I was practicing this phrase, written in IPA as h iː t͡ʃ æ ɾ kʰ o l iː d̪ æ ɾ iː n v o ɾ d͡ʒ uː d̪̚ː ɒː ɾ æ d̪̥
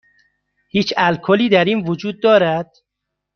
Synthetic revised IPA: h iː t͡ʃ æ l kʰ o l iː d̪ æ ɾ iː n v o d͡ʒ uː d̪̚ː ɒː ɾ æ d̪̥